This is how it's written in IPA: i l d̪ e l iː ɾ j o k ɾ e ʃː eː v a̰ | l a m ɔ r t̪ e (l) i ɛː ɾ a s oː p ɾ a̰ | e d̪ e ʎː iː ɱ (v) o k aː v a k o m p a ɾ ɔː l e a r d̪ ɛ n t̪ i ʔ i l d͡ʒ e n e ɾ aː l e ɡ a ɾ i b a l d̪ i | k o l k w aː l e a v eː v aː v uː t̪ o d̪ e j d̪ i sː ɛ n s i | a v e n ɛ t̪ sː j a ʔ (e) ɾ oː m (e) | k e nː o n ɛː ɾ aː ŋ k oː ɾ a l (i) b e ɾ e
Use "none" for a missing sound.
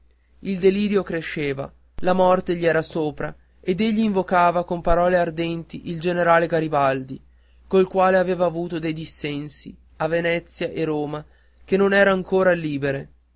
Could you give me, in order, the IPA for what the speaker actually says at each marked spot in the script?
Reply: ʎ, v, e, a, iː

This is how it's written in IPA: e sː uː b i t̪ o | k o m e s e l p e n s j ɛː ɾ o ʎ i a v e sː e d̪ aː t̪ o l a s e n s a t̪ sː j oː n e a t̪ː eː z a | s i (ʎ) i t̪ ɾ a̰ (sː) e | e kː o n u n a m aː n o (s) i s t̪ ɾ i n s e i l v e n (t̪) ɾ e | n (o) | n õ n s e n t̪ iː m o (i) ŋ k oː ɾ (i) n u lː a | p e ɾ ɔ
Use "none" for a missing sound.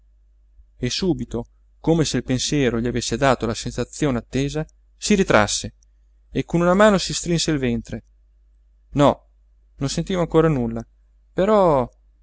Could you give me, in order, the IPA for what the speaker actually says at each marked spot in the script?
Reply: ɾ, sː, s, t̪, ɔ, a, a

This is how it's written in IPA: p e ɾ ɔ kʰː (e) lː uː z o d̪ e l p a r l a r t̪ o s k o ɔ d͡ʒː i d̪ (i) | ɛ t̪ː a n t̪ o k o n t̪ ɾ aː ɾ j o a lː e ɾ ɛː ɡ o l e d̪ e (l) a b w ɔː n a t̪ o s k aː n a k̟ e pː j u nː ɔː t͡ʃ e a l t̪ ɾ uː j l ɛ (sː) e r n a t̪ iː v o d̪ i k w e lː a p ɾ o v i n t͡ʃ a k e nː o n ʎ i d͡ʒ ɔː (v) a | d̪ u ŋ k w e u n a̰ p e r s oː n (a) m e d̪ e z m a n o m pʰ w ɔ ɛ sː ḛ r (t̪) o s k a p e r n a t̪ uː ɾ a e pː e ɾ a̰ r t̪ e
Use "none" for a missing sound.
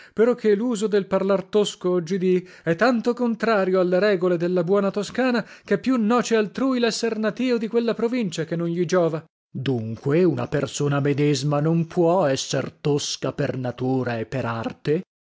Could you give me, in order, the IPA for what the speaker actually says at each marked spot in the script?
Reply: e, i, lː, sː, v, a, t̪

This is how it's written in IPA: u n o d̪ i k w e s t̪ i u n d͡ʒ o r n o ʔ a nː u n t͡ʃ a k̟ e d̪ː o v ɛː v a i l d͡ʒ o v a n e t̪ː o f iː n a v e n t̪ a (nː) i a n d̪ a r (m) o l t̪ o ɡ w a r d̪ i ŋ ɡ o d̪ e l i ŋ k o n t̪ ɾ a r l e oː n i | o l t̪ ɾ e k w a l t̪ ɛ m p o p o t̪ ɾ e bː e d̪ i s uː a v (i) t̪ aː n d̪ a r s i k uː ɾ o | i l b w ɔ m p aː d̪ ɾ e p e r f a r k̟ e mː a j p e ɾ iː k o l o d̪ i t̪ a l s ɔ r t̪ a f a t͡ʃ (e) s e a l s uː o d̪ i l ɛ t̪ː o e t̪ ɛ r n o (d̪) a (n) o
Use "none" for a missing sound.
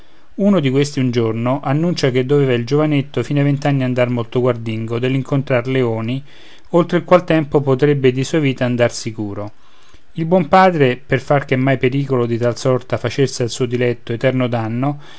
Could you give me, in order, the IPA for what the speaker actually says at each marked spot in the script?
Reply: nː, m, iː, e, d̪, nː

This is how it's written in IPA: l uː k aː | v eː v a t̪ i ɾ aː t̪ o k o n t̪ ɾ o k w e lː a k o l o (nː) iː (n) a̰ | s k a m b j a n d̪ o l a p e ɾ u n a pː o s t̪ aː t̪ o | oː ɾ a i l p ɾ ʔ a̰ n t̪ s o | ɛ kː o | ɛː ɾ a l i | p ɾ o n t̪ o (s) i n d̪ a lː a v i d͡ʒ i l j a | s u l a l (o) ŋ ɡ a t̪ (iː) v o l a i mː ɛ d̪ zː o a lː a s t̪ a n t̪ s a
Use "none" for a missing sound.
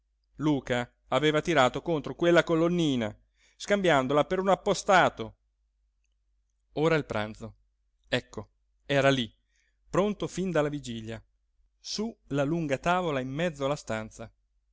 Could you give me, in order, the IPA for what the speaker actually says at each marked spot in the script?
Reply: nː, n, f, u, aː

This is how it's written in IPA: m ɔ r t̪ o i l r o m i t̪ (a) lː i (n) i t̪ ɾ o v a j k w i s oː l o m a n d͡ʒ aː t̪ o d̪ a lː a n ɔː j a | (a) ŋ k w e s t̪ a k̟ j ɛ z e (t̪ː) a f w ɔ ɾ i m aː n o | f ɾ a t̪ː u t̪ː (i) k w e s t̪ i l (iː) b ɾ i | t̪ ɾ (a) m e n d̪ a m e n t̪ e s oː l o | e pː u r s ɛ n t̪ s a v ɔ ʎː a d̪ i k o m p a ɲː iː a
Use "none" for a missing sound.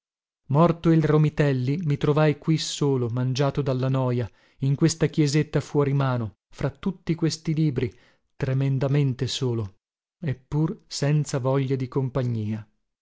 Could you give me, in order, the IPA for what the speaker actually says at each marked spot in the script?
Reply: ɛ, m, i, t̪ː, i, iː, e

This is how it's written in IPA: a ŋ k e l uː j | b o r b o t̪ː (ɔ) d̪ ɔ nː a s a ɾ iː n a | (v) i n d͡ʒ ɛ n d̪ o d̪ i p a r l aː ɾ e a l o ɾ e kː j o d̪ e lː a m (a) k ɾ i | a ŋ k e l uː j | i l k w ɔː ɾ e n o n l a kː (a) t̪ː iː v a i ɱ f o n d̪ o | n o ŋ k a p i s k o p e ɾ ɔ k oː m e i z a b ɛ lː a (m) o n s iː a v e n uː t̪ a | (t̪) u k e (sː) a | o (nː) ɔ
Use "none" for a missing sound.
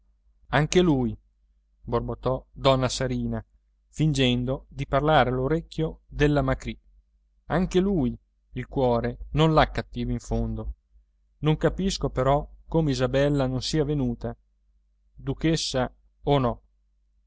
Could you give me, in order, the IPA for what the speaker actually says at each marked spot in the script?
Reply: ɔ, f, a, a, n, d̪, sː, n

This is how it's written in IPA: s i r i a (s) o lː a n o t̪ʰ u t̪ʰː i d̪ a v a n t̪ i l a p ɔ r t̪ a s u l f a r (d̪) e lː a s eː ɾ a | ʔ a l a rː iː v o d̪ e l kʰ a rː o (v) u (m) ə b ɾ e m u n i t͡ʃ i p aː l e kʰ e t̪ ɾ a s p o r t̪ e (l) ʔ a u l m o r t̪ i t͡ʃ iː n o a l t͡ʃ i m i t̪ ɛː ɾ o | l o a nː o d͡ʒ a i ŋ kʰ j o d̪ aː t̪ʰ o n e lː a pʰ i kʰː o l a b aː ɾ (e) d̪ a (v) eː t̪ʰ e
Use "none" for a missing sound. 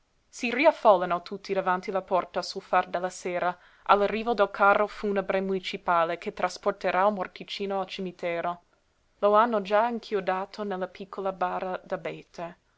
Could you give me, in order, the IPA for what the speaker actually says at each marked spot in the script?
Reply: f, d̪, f, n, ɾ, a, b

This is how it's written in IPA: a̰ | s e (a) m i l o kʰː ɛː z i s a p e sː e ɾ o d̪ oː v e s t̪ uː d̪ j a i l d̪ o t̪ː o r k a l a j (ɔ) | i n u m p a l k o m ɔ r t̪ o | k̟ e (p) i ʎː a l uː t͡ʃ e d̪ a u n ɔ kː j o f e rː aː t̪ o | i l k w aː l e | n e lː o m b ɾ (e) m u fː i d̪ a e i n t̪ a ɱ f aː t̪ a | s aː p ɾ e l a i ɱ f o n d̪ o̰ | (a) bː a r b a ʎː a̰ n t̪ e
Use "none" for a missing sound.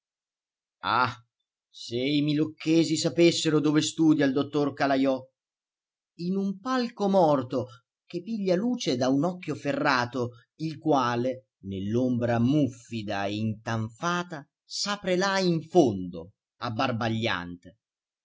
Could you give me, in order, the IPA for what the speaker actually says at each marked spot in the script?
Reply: i, ɔ, p, a, a

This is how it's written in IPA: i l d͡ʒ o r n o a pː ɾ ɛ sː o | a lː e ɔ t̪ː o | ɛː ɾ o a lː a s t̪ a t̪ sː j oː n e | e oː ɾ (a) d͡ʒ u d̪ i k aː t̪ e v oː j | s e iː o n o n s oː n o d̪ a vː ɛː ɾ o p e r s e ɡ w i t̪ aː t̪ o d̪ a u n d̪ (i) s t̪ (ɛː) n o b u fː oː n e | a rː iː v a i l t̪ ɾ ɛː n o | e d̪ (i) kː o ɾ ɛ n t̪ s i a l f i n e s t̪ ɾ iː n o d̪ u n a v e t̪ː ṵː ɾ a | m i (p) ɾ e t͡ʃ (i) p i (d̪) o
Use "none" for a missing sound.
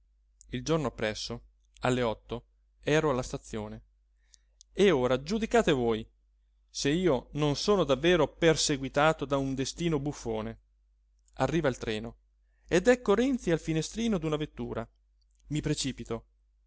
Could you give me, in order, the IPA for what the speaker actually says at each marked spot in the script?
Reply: a, e, iː, ɛ, p, iː, t̪

